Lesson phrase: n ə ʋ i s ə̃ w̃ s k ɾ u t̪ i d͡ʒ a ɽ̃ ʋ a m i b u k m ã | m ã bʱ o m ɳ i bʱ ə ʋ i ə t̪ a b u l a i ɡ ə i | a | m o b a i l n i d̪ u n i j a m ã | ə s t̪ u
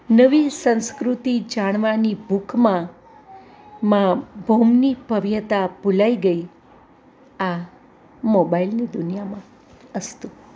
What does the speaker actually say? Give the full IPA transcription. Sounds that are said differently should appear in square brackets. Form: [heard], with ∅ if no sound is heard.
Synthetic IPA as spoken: n ə ʋ i s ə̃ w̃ s k ɾ u t̪ i d͡ʒ a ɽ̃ ʋ a [n] i b u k m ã | m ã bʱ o m [n] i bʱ ə ʋ [j] ə t̪ a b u l a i ɡ ə i | a | m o b a i l n i d̪ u n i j a m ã | ə s t̪ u